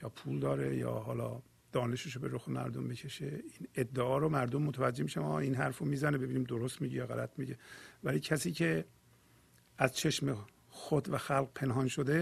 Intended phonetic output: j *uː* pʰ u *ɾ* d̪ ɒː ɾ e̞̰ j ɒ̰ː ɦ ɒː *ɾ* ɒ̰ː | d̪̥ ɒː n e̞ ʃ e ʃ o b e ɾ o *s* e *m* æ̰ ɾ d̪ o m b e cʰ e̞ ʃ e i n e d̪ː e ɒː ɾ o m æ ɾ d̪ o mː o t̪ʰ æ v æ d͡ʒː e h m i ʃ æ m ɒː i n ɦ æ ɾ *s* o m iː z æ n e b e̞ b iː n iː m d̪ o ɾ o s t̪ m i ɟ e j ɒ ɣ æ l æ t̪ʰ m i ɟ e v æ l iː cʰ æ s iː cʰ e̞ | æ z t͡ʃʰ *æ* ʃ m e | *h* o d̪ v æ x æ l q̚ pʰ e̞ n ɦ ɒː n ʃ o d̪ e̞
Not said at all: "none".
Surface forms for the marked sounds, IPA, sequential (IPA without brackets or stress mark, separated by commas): ɒː, l, l, x, m, f, e, x